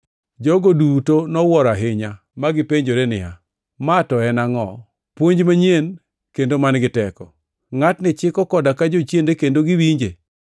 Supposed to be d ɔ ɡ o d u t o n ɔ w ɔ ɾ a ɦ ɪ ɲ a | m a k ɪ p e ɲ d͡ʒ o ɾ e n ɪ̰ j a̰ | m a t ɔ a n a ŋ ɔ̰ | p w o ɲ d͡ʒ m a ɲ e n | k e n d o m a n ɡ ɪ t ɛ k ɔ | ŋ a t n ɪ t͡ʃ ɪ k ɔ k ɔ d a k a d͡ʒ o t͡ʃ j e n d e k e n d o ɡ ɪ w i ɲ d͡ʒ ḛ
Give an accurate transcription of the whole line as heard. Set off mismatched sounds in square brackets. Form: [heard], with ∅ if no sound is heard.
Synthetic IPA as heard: [d͡ʒ] ɔ ɡ o d u t o n ɔ w ɔ ɾ a ɦ ɪ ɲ a | m a [ɡ] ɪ p e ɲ d͡ʒ o ɾ e n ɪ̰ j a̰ | m a t ɔ [ɛ] n a ŋ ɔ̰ | p w o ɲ d͡ʒ m a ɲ e n | k e n d o m a n ɡ ɪ t ɛ k ɔ | ŋ a t n ɪ t͡ʃ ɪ k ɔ k ɔ d a k a d͡ʒ o t͡ʃ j e n d e k e n d o ɡ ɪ w i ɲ d͡ʒ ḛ